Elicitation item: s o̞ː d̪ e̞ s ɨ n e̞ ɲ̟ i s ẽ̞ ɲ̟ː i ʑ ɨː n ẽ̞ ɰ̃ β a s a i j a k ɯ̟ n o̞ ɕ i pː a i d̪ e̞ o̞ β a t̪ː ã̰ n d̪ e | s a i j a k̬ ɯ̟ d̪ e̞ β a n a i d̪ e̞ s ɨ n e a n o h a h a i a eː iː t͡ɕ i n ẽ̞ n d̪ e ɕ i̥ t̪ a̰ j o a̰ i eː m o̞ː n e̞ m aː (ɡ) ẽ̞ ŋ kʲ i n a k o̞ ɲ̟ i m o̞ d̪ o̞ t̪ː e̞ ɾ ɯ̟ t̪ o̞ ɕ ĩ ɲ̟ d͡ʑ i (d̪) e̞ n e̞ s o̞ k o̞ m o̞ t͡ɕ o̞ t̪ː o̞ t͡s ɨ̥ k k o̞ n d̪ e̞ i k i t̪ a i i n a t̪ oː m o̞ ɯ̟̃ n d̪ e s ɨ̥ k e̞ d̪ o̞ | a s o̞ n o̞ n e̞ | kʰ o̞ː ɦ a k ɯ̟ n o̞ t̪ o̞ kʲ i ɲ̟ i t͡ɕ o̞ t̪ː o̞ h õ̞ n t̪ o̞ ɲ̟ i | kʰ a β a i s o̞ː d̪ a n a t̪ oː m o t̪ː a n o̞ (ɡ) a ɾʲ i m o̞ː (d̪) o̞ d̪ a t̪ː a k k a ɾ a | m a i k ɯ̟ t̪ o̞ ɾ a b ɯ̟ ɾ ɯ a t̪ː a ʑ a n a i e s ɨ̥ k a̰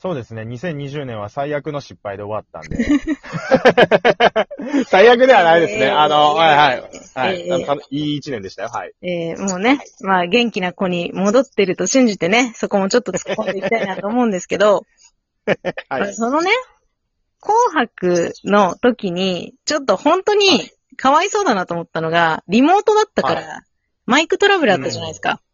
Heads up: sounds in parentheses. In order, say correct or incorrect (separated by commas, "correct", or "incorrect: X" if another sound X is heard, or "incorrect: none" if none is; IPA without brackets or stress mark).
correct, incorrect: t̪, correct, incorrect: t̪